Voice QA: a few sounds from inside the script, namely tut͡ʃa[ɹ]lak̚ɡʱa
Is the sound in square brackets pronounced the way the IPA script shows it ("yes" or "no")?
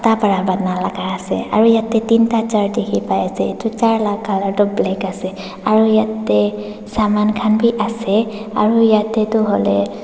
yes